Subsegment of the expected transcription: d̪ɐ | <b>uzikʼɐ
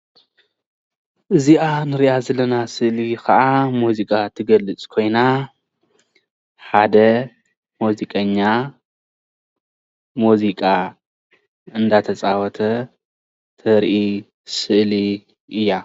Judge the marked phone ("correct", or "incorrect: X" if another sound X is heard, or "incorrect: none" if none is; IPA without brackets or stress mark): incorrect: m